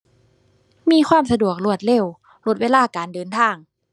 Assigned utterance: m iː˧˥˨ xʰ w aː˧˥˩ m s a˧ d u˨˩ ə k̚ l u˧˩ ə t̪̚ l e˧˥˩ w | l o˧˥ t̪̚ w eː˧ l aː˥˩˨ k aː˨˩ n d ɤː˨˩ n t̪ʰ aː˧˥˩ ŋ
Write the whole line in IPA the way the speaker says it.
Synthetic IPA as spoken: m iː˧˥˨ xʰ w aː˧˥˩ m s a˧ d u˨˩ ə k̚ l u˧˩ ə t̪̚ l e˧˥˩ w | l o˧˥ t̪̚ w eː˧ l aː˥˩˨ k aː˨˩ n d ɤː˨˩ n t̪ʰ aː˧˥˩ ŋ